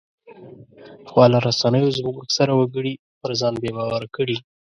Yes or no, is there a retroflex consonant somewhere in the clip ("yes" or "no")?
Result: yes